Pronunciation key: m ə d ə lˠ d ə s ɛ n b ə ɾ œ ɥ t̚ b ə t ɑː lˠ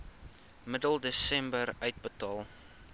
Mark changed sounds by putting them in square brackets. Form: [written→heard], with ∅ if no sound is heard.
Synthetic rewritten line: m ə d ə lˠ d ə s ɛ [n→m] b ə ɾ œ ɥ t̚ b ə t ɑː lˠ